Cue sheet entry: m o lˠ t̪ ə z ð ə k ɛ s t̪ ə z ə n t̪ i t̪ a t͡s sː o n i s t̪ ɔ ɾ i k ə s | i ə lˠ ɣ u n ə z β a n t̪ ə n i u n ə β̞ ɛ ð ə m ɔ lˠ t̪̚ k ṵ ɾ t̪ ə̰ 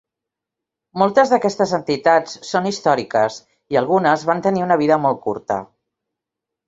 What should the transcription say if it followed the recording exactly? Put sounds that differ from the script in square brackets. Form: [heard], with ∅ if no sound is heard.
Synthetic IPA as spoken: m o lˠ t̪ ə z ð ə k ɛ s t̪ ə z ə n t̪ i t̪ a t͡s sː o n i s t̪ ɔ ɾ i k ə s | i ə lˠ ɣ u n ə z β a n t̪ ə n i u n ə β̞ [i] ð ə m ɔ lˠ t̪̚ k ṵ ɾ t̪ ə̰